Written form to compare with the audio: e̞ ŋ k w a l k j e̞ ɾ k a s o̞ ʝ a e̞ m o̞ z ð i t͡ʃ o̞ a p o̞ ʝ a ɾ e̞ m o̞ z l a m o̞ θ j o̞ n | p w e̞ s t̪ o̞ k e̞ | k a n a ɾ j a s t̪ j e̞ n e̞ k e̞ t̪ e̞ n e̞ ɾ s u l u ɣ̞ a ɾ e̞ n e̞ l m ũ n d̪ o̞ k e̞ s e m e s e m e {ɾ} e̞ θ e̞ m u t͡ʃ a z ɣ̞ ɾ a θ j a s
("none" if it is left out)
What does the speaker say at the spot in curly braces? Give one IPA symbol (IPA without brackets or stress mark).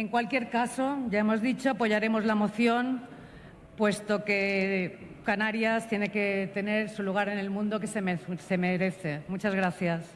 ɾ